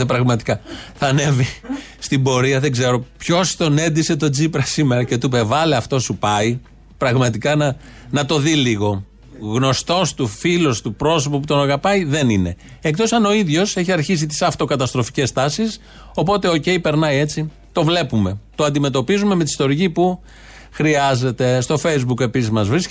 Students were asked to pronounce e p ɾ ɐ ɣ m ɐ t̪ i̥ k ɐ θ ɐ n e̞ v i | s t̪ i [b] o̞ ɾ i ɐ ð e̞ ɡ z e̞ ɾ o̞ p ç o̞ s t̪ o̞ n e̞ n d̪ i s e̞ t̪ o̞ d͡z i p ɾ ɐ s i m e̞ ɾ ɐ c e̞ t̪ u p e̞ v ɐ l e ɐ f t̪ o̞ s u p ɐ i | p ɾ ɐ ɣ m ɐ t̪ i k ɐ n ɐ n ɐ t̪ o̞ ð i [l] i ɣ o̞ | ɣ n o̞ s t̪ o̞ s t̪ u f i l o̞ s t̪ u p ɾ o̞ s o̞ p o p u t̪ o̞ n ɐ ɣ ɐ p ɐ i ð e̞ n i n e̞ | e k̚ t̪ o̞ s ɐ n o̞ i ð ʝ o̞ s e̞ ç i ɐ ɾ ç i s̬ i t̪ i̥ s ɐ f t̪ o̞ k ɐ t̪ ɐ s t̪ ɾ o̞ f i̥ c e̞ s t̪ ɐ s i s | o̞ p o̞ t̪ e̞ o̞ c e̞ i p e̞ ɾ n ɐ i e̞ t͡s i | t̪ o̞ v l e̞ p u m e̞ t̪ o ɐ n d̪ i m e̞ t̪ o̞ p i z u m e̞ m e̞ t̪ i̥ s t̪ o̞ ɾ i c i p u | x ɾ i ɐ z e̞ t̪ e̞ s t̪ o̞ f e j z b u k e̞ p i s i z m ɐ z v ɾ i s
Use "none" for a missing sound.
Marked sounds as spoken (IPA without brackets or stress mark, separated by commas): b, l